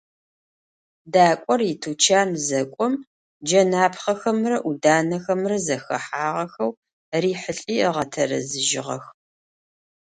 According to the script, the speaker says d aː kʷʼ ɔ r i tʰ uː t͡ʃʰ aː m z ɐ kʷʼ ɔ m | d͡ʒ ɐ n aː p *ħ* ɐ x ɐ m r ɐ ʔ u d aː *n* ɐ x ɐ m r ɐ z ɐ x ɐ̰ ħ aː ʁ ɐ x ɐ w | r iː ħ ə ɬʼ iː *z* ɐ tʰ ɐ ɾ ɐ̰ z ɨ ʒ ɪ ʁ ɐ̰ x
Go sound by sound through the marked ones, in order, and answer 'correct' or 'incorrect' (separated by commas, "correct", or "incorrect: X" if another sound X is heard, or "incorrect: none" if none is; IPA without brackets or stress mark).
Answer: incorrect: χ, correct, incorrect: ʁ